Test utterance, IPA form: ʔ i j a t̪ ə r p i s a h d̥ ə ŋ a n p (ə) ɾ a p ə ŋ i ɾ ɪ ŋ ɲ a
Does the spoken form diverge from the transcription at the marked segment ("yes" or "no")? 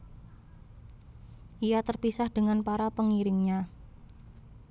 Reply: yes